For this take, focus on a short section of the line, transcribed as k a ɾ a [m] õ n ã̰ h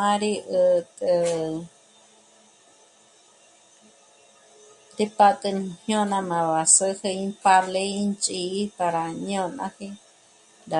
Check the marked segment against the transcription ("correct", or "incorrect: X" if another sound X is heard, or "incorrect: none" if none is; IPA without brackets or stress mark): incorrect: ɲ